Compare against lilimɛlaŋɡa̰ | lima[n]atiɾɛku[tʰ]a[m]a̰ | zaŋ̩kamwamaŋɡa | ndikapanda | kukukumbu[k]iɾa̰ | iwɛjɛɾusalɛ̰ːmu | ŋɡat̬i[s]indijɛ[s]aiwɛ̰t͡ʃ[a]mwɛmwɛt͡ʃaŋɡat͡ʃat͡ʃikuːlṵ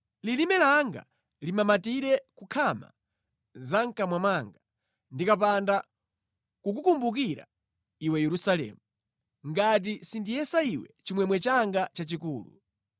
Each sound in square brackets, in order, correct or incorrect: incorrect: m, incorrect: kʰ, correct, correct, correct, correct, incorrect: i

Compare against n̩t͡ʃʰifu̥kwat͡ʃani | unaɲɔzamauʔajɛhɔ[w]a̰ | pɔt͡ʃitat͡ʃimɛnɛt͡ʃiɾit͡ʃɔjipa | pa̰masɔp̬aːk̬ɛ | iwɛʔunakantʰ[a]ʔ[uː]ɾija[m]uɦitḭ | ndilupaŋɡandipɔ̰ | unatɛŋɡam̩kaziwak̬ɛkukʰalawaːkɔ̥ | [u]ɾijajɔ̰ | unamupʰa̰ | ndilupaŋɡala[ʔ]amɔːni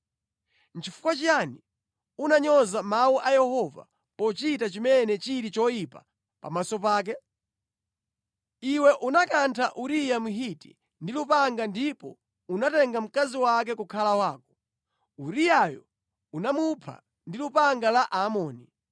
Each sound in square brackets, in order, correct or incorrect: incorrect: v, correct, incorrect: u, correct, correct, correct

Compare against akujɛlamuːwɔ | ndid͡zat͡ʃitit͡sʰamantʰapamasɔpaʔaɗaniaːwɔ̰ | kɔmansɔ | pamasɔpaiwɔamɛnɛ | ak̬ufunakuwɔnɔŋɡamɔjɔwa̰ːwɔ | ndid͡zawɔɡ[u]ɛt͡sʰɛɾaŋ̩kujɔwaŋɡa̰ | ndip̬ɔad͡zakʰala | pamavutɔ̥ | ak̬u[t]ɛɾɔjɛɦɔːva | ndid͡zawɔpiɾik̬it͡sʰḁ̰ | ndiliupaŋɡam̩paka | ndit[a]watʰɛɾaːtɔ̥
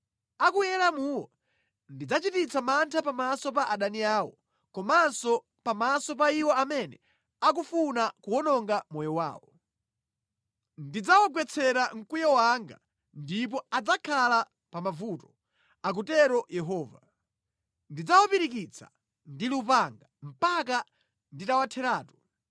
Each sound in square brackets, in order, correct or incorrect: incorrect: w, correct, correct

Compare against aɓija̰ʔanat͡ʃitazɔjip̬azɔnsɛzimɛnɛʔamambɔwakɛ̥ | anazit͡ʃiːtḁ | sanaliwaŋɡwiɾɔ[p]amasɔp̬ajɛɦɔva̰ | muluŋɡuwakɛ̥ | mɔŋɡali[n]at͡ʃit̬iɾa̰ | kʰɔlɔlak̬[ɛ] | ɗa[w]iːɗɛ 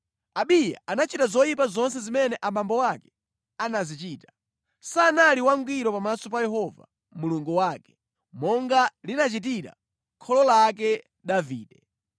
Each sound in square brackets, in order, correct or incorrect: correct, correct, correct, incorrect: v

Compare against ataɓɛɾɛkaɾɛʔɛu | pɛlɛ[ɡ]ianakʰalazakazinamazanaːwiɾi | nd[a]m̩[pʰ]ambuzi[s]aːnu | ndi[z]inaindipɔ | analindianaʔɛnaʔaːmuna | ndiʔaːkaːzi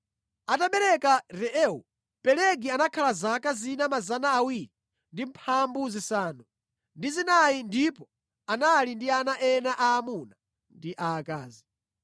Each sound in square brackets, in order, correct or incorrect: correct, incorrect: i, correct, correct, correct

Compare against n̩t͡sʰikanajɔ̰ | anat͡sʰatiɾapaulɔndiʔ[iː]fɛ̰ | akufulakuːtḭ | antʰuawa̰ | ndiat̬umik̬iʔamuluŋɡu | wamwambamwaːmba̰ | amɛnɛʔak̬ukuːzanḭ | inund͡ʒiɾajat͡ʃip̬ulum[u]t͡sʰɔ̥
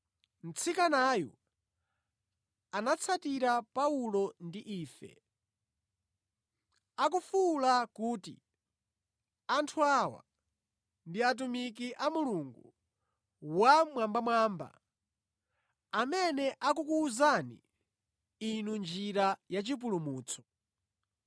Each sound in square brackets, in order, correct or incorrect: correct, incorrect: uː

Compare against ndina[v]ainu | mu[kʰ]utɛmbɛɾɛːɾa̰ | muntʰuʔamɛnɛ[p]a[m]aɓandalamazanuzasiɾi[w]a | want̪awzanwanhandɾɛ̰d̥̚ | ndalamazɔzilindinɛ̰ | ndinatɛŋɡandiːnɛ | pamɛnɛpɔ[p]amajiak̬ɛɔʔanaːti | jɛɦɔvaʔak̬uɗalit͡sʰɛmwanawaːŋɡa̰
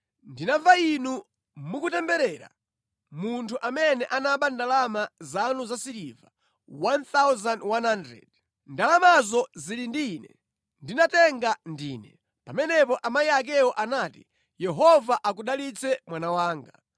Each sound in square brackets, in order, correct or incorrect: correct, incorrect: k, incorrect: ʔ, incorrect: n, incorrect: v, incorrect: ʔ

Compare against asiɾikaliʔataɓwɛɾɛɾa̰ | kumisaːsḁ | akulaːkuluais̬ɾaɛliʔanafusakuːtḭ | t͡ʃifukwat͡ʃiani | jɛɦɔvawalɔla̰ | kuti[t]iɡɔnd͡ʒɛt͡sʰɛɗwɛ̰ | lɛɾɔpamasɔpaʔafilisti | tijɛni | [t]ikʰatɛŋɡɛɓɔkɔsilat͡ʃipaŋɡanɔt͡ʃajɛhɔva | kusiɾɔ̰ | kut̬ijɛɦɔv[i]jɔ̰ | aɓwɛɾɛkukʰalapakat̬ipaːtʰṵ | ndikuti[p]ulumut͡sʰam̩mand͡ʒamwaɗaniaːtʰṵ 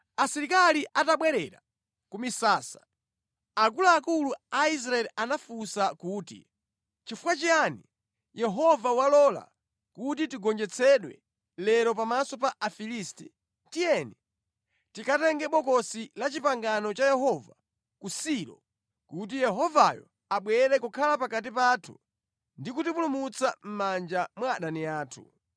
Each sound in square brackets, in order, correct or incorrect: correct, correct, incorrect: a, correct

